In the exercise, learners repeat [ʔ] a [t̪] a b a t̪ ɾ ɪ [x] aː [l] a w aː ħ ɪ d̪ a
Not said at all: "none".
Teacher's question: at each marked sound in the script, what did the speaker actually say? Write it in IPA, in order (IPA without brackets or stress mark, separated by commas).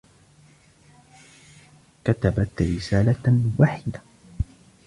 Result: k, t̪, s, l